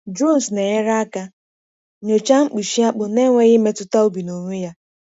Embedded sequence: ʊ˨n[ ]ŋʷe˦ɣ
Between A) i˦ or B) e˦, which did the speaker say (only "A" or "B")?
B